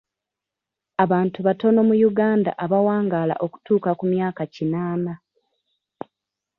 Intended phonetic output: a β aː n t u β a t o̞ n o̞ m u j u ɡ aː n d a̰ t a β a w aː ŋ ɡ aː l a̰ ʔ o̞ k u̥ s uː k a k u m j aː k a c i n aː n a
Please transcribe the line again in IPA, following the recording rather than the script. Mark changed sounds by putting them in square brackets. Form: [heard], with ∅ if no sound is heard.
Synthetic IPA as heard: a β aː n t u β a t o̞ n o̞ m u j u ɡ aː n d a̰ [ʔ] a β a w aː ŋ ɡ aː l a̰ ʔ o̞ k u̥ [t] uː k a k u m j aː k a c i n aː n a